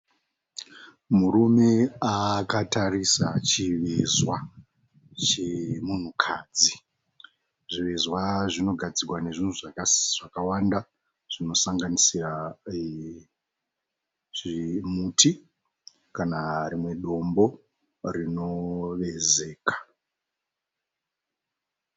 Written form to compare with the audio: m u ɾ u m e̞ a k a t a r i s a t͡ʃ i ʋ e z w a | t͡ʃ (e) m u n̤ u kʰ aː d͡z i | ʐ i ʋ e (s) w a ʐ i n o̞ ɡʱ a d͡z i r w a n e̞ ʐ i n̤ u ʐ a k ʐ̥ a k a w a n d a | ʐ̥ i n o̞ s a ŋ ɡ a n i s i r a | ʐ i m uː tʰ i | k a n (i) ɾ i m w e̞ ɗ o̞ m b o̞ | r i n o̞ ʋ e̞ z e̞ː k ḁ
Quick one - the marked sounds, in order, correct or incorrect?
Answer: correct, incorrect: z, incorrect: a

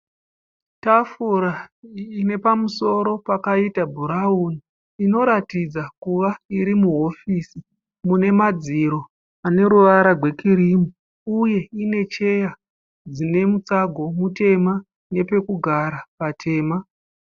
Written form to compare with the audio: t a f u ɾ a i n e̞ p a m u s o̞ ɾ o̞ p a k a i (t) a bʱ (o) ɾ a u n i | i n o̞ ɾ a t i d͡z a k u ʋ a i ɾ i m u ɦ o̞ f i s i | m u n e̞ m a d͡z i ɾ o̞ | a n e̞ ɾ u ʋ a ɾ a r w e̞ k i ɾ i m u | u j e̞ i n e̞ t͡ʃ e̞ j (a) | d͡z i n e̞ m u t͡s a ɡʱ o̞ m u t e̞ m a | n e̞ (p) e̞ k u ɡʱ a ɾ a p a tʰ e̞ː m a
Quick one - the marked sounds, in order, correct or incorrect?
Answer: correct, incorrect: u, correct, correct

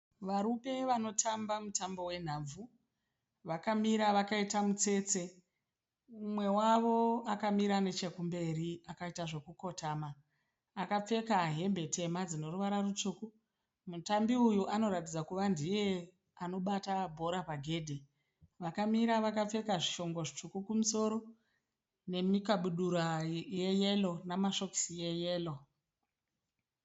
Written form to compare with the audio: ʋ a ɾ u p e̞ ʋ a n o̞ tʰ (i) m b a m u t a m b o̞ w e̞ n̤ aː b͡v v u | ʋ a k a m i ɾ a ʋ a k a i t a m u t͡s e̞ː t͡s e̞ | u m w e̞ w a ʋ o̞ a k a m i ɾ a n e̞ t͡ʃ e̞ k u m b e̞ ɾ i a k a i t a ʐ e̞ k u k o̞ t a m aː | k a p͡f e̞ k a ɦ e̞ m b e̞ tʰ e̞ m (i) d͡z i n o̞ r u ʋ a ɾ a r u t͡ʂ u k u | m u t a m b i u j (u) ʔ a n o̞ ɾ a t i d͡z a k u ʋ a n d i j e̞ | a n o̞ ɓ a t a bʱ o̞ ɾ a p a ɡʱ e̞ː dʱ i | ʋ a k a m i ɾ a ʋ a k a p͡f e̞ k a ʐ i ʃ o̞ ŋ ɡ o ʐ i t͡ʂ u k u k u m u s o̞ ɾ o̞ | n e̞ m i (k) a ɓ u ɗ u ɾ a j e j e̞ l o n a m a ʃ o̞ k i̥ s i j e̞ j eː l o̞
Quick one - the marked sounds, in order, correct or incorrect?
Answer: incorrect: a, incorrect: a, correct, correct

